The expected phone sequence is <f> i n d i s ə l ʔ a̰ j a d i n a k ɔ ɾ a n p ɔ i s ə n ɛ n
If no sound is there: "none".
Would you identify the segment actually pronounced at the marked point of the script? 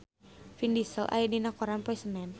f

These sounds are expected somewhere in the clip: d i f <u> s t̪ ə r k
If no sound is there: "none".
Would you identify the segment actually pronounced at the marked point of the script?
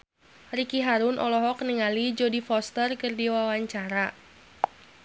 ɔ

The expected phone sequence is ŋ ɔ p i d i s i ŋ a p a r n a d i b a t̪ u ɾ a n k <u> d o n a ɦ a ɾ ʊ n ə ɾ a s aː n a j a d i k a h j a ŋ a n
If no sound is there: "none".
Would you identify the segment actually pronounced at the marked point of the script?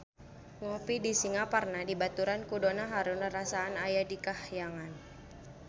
u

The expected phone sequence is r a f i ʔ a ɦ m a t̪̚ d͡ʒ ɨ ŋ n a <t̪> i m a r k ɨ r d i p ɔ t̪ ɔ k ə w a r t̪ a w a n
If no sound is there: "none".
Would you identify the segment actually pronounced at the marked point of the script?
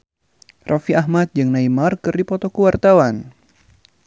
none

